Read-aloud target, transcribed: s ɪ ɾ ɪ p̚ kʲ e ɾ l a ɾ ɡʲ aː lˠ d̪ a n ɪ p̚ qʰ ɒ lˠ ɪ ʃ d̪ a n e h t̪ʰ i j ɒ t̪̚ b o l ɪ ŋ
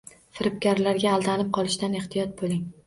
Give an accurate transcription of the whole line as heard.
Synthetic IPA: f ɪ ɾ ɪ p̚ kʲ a ɾ l a ɾ ɡʲ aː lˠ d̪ a n ɪ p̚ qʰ ɒ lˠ ɪ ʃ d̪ a n e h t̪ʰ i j ɒ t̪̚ b o l ɪ ŋ